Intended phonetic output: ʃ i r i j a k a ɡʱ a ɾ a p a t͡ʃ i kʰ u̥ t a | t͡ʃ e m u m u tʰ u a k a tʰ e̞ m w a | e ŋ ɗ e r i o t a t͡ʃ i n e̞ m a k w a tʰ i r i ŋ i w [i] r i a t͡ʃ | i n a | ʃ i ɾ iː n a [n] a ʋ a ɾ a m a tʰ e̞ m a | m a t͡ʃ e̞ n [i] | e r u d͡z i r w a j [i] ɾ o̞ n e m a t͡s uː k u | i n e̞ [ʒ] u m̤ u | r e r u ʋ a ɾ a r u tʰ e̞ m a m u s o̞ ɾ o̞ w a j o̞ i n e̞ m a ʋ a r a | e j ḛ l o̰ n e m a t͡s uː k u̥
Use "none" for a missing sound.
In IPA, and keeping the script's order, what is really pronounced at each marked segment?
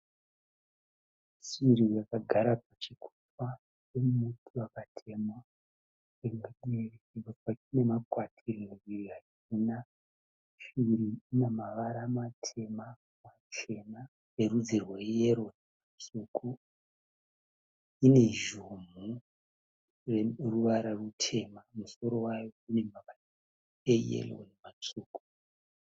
i, m, a, e, ʒ

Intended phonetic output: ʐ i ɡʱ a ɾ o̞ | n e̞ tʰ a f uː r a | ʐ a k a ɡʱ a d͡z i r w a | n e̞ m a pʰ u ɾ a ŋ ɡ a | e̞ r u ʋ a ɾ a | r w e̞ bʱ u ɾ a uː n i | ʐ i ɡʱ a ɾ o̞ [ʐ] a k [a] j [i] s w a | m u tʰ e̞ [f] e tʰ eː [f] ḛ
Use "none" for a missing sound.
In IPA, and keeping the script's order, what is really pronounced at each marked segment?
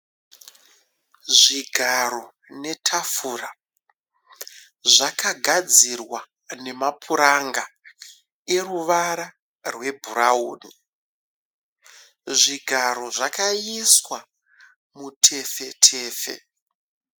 ʐ, a, i, f, f

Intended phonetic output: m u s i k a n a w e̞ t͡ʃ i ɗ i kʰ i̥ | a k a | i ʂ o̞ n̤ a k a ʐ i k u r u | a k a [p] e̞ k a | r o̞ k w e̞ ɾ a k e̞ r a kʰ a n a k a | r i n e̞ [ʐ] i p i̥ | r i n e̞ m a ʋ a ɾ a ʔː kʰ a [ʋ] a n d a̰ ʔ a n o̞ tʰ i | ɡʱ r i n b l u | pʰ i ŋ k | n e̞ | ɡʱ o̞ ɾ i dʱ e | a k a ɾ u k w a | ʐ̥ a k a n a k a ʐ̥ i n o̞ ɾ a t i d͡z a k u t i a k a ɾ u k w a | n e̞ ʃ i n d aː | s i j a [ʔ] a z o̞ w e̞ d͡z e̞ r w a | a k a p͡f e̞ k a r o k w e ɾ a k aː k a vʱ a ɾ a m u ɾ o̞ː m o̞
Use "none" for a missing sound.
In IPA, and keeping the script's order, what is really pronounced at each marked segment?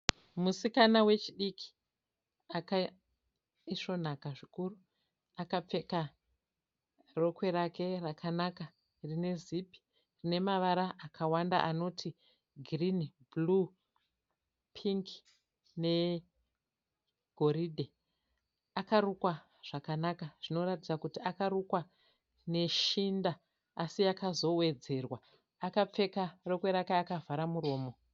p͡f, z, w, k

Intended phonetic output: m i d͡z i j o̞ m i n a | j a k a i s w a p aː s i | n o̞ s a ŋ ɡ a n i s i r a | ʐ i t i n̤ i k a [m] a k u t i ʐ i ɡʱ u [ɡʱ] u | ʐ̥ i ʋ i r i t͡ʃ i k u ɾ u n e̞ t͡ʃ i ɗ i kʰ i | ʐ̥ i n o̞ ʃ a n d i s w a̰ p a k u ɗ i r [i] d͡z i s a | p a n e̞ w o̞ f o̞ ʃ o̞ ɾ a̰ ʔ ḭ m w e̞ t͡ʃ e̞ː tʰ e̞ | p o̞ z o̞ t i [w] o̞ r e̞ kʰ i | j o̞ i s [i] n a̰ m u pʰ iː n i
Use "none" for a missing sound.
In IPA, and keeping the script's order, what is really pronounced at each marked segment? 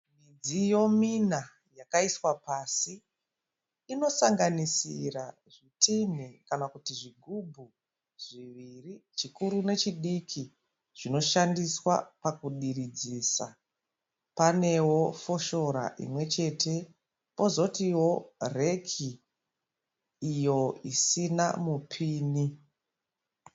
n, bʱ, i, w, i

